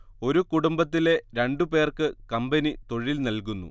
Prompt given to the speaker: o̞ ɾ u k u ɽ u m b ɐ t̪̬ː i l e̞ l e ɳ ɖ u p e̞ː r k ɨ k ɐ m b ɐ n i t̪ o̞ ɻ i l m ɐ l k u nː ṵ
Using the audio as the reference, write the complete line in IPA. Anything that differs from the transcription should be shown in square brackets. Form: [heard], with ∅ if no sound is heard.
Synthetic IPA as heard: o̞ ɾ u k u ɽ u m b ɐ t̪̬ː i l e̞ [ɾ] e ɳ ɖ u p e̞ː r k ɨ k ɐ m b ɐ n i t̪ o̞ ɻ i l [n] ɐ l k u nː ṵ